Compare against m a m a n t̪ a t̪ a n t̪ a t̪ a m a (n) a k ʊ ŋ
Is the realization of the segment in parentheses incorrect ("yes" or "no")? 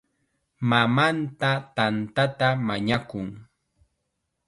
yes